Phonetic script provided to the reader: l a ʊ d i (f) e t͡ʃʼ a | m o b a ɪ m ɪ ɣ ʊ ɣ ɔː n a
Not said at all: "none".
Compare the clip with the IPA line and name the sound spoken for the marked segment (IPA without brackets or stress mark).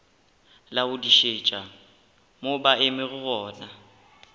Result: ʃ